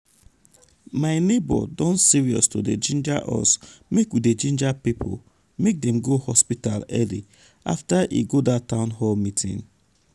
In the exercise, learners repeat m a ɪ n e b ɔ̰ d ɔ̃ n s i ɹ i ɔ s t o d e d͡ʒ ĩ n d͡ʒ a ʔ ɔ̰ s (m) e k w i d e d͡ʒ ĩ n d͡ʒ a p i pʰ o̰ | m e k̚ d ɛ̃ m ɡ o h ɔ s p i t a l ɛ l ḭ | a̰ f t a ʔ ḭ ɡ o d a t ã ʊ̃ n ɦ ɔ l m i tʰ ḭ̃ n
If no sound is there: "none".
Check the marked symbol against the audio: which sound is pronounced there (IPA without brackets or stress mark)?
m